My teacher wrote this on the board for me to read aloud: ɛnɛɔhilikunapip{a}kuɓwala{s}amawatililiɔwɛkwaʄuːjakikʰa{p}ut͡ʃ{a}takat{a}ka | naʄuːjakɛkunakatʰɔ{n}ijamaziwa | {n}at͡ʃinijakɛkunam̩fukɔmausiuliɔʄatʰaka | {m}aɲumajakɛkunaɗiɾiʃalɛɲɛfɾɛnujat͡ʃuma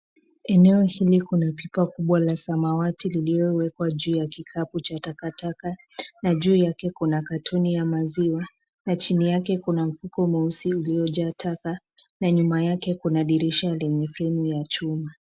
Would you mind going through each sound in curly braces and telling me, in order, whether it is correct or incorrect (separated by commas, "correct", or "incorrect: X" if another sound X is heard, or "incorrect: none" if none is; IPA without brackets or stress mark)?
correct, correct, correct, correct, correct, correct, correct, incorrect: n